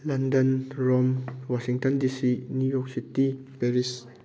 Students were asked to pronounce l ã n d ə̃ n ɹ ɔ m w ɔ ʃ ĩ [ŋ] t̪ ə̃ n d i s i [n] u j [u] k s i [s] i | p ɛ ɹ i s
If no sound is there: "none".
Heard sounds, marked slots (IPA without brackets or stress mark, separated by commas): ŋ, n, ɔ, t